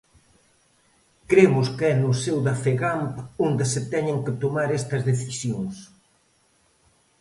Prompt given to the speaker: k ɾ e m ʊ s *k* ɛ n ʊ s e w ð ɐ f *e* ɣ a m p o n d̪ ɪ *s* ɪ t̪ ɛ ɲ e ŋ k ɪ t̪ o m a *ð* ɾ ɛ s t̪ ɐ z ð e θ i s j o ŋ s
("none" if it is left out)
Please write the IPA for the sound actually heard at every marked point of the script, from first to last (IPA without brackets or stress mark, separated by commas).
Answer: k, e, s, none